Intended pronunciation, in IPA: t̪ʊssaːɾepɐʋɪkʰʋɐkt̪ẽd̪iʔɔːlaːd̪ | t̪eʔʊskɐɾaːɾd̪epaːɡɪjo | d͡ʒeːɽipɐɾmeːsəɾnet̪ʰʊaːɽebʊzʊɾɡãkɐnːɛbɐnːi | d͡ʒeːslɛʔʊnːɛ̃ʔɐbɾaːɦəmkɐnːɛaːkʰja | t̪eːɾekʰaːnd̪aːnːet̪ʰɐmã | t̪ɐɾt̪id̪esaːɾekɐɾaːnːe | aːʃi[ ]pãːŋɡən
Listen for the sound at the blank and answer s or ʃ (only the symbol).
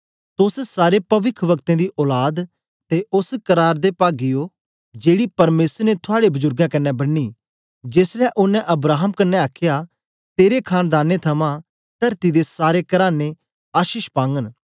ʃ